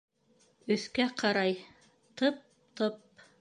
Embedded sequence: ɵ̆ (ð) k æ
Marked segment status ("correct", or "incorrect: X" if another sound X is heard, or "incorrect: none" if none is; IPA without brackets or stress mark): incorrect: θ